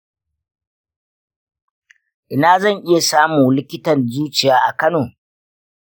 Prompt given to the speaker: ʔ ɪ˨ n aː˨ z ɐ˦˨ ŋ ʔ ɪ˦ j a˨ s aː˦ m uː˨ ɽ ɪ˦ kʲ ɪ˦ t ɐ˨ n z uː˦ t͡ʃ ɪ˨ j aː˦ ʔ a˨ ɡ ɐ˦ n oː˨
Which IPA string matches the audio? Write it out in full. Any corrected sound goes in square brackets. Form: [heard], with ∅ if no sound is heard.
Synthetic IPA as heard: ʔ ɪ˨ n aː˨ z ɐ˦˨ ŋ ʔ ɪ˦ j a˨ s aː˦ m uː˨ [l] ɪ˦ kʲ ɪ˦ t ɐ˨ n z uː˦ t͡ʃ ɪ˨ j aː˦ ʔ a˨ [k] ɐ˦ n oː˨